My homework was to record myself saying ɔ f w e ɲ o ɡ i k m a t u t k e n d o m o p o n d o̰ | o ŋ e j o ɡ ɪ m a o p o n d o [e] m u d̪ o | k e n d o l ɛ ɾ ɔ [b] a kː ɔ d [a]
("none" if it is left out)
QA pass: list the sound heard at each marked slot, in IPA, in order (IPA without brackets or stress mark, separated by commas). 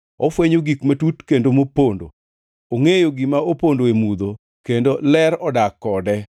e, d, ɛ